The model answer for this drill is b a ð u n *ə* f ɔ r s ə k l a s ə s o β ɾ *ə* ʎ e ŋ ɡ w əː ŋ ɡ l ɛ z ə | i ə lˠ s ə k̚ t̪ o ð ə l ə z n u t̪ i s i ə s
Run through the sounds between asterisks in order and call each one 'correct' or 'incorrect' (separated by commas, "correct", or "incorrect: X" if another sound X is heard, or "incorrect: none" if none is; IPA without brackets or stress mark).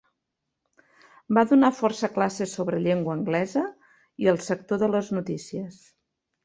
incorrect: a, correct